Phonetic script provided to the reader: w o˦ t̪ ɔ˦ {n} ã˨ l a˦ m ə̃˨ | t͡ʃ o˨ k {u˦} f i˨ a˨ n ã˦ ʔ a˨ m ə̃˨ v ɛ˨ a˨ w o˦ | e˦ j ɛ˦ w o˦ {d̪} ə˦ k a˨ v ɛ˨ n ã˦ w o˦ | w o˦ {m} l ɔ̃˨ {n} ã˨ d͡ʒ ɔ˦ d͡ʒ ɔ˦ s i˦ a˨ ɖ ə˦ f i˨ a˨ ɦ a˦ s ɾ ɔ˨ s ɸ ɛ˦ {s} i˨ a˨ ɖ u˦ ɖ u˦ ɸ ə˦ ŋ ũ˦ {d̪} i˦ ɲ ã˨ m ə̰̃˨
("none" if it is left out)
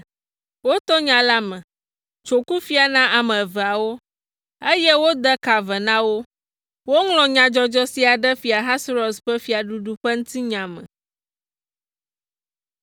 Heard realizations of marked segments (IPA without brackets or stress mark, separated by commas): ɲ, u˦, d̪, ŋ, ɲ, f, t̪